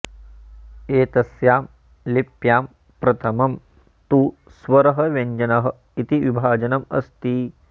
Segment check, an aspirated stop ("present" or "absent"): present